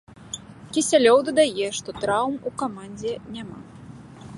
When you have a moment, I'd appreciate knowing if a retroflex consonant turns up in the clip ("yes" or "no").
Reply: yes